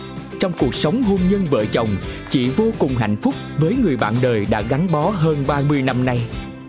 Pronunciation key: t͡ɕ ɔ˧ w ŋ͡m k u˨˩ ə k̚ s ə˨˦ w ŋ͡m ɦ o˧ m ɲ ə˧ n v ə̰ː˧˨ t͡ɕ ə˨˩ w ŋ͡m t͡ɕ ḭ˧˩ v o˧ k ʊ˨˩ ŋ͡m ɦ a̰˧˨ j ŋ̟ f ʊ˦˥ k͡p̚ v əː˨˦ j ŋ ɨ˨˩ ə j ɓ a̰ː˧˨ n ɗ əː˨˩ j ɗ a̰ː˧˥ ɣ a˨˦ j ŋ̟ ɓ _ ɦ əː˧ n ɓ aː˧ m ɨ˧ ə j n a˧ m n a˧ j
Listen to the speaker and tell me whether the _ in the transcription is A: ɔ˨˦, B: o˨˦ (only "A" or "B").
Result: A